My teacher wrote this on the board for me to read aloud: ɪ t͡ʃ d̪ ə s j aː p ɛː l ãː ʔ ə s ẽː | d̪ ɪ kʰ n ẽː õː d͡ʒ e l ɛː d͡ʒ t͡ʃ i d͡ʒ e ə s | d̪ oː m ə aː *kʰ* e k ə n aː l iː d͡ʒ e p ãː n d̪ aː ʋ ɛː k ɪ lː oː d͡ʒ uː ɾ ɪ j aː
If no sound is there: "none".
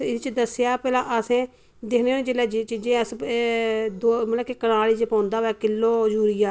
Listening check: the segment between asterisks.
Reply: k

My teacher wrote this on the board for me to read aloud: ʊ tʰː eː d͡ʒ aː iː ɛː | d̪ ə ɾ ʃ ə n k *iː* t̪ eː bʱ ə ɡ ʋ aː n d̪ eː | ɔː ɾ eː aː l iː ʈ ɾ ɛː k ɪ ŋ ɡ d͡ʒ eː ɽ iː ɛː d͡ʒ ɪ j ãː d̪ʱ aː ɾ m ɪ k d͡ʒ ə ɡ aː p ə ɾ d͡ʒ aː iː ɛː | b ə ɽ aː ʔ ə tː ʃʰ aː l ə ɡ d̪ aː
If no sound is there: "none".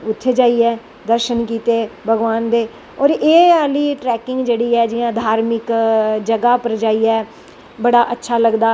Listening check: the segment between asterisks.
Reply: iː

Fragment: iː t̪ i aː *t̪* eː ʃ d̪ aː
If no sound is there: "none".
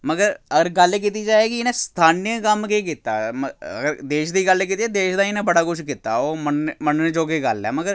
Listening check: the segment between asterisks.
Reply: d̪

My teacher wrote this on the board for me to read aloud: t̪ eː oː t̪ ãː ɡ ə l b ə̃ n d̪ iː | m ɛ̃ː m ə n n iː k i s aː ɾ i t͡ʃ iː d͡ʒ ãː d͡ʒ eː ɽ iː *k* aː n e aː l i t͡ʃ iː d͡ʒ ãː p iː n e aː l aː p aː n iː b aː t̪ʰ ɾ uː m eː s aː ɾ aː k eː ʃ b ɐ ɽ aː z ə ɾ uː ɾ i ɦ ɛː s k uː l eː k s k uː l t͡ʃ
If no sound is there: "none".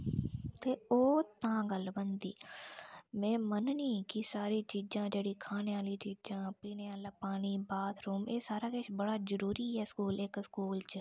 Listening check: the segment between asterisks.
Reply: kʰ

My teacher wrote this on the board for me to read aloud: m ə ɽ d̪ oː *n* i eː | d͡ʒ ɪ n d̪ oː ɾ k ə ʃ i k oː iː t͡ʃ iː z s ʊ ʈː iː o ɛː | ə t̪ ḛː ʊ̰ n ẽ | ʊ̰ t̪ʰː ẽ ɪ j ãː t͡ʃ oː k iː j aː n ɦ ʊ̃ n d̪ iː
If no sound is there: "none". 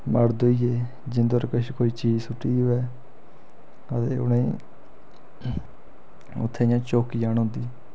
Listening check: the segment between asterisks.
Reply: none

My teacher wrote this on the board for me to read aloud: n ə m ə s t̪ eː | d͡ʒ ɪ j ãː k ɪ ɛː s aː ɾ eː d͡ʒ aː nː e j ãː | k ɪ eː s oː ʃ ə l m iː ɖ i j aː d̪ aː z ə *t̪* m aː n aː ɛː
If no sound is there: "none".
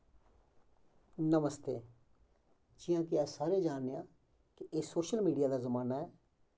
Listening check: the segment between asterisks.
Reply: none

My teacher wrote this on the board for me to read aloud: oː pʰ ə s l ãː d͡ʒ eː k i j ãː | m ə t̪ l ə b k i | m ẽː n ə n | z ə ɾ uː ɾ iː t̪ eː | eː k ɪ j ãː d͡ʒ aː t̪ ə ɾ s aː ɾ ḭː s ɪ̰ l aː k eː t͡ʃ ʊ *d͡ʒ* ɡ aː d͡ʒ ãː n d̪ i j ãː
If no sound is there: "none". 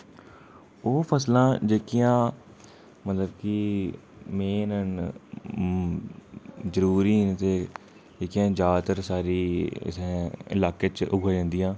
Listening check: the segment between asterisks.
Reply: none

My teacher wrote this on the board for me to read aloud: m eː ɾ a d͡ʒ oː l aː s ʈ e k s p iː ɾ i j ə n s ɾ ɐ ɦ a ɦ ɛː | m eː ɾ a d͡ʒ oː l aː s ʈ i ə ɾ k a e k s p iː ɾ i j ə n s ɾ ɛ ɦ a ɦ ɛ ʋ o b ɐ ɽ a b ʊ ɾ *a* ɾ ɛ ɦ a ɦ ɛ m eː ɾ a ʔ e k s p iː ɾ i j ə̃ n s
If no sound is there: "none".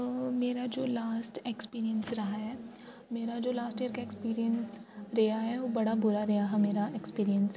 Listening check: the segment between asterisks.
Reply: a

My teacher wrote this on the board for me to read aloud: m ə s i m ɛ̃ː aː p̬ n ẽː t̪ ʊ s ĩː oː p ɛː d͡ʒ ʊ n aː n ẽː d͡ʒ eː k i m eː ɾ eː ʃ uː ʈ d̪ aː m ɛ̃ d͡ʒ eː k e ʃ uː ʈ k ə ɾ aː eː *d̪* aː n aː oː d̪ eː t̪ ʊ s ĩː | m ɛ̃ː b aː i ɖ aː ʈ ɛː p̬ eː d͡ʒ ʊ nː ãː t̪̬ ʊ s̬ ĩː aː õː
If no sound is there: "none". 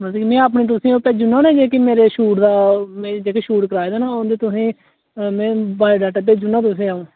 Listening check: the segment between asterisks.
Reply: d̪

